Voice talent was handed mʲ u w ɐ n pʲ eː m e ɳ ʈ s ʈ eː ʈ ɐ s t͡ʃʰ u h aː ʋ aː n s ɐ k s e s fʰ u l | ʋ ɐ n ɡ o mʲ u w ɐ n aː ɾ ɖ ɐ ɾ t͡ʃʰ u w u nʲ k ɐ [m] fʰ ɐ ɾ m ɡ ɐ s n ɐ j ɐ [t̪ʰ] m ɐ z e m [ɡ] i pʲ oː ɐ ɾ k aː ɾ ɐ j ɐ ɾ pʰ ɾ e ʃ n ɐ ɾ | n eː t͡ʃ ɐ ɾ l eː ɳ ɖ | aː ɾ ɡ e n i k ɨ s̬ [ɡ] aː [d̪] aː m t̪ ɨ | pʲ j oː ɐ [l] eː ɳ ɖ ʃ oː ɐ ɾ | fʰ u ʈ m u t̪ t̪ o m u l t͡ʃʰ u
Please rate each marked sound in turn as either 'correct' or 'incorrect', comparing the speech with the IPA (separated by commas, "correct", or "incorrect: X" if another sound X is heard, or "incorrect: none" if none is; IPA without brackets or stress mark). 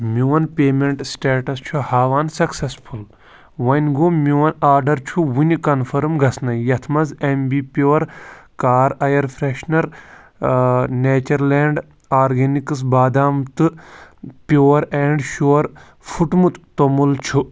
incorrect: n, correct, incorrect: b, incorrect: b, correct, incorrect: ɾ